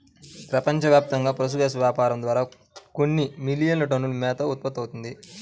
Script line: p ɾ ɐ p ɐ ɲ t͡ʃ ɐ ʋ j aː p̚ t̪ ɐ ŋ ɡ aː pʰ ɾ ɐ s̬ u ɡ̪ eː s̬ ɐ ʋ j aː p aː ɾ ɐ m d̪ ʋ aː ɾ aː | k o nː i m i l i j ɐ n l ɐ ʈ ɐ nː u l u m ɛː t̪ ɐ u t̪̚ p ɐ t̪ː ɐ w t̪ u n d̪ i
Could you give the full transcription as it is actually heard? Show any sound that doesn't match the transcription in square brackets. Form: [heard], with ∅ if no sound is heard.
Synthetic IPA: p ɾ ɐ p ɐ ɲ t͡ʃ ɐ ʋ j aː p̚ t̪ ɐ ŋ ɡ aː [p] ɾ ɐ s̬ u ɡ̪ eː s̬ ɐ ʋ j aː p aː ɾ ɐ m d̪ ʋ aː ɾ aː | k o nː i m i l i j ɐ n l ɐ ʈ ɐ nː u l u m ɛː t̪ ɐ u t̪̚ p ɐ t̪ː ɐ w t̪ u n d̪ i

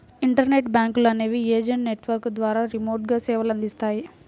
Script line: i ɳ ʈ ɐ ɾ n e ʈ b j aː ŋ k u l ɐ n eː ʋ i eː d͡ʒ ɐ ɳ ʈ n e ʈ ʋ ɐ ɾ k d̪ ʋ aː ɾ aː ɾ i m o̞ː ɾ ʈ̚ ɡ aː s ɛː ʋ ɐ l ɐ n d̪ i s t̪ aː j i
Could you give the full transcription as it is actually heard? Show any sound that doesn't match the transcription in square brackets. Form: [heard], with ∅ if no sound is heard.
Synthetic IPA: i ɳ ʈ ɐ ɾ n e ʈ b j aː ŋ k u l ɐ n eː ʋ i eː d͡ʒ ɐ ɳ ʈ n e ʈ ʋ ɐ ɾ k d̪ ʋ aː ɾ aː ɾ i m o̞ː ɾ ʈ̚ ɡ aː s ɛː ʋ ɐ l ɐ n d̪ i s t̪ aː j i

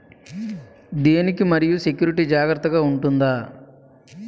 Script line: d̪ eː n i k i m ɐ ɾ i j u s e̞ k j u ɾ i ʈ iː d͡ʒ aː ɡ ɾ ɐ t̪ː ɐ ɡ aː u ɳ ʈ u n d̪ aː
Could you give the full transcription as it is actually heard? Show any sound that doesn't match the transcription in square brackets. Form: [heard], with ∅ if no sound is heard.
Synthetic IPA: d̪ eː n i k i m ɐ ɾ i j u s e̞ k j [uː] ɾ i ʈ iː d͡ʒ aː ɡ ɾ ɐ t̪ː ɐ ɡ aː u ɳ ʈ u n d̪ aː

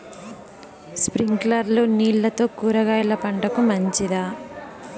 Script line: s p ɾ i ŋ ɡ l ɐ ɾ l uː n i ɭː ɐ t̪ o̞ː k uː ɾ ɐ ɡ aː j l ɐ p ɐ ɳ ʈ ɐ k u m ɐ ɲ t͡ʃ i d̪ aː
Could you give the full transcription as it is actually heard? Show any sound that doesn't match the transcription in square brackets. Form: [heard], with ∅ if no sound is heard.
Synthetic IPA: s p ɾ i ŋ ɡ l ɐ ɾ l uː n [iː] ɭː ɐ t̪ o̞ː k uː ɾ ɐ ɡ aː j l ɐ p ɐ ɳ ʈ ɐ k u m ɐ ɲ t͡ʃ i d̪ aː

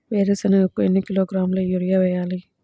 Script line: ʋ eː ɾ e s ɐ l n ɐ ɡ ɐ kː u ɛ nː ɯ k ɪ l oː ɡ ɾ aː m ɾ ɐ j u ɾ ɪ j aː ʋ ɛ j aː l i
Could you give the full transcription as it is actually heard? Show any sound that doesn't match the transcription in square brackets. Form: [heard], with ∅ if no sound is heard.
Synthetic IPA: ʋ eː ɾ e s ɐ [∅] n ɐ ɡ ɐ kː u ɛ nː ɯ k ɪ l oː ɡ ɾ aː m [l] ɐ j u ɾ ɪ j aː ʋ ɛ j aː l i

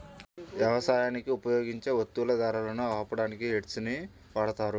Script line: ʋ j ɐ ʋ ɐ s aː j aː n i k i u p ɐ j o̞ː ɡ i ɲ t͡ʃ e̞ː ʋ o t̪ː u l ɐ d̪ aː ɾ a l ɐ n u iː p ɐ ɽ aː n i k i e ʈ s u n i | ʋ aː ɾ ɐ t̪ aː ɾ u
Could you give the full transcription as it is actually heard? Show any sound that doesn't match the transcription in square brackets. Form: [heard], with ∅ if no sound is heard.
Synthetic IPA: ʋ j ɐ ʋ ɐ s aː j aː n i k i u p ɐ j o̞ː ɡ i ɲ t͡ʃ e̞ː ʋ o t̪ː u l ɐ d̪ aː ɾ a l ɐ n u [aː] p ɐ ɽ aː n i k i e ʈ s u n i | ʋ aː [ɽ] ɐ t̪ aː ɾ u

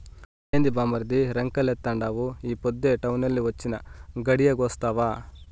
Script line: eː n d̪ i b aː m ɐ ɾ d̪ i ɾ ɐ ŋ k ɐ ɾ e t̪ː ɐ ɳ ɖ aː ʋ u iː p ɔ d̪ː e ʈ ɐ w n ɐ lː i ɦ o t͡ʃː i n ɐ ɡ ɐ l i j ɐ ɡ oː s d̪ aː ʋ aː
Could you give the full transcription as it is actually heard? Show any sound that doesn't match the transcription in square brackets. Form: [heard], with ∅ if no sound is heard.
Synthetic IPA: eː n d̪ i b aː m ɐ ɾ d̪ i ɾ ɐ ŋ k ɐ [l] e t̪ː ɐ ɳ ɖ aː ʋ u iː p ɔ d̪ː e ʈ ɐ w n ɐ lː i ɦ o t͡ʃː i n ɐ ɡ ɐ [ɽ] i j ɐ ɡ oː s [t̪] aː ʋ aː

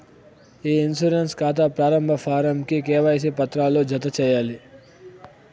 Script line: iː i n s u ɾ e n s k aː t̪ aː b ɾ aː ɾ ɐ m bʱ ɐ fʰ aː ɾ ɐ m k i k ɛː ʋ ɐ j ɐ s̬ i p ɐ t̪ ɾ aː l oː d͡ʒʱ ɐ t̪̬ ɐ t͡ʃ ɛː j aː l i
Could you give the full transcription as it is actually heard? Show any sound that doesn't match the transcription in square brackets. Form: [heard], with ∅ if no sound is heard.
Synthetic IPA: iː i n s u ɾ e n s k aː t̪ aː [p] ɾ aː ɾ ɐ m bʱ ɐ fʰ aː ɾ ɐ m k i k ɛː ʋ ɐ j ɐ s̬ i p ɐ t̪ ɾ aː l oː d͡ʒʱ ɐ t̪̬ ɐ t͡ʃ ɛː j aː l i

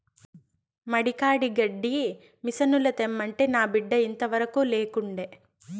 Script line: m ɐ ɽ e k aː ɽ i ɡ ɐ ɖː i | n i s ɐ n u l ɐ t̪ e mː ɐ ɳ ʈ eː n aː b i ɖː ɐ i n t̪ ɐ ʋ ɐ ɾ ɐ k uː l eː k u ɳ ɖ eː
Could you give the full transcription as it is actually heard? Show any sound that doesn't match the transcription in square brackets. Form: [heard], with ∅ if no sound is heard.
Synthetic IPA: m ɐ ɽ [i] k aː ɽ i ɡ ɐ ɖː i | [m] i s ɐ n u l ɐ t̪ e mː ɐ ɳ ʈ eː n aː b i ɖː ɐ i n t̪ ɐ ʋ ɐ ɾ ɐ k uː l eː k u ɳ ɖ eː

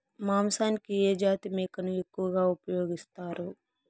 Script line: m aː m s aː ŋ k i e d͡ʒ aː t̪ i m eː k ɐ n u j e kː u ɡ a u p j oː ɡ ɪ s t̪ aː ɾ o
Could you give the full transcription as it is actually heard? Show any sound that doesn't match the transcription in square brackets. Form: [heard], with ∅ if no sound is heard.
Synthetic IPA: m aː m s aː [n] k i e d͡ʒ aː t̪ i m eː k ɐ n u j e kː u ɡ a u p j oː ɡ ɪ s t̪ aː ɾ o

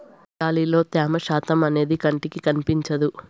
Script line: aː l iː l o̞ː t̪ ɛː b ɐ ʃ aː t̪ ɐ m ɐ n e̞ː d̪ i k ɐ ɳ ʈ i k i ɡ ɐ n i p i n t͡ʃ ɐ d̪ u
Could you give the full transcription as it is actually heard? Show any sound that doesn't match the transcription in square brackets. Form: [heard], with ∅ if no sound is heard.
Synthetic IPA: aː l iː l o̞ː t̪ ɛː [m] ɐ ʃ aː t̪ ɐ m ɐ n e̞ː d̪ i k ɐ ɳ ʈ i k i [k] ɐ n i p i [ɲ] t͡ʃ ɐ d̪ u

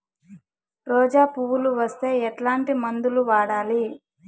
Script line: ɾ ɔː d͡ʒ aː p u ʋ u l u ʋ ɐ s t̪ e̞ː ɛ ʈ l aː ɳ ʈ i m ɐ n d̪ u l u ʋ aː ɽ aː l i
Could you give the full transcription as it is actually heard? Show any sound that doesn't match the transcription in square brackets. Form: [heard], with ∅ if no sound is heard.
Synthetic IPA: ɾ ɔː d͡ʒ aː p u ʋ u l u ʋ ɐ s t̪ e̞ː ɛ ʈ l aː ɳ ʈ i m ɐ n d̪ u l u ʋ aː ɽ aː l i

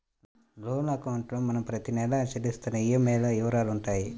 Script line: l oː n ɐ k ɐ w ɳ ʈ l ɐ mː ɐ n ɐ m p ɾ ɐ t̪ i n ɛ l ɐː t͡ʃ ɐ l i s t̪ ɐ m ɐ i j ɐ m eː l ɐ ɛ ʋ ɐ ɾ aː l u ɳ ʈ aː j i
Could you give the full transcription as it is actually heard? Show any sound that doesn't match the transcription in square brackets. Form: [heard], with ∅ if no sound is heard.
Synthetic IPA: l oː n ɐ k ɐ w ɳ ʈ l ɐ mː ɐ n ɐ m p ɾ ɐ t̪ i n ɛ l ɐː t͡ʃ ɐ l i s t̪ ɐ [n] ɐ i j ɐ m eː l ɐ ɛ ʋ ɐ ɾ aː l u ɳ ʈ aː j i

